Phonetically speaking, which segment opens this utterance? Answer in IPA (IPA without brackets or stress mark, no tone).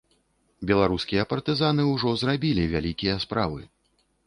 bʲ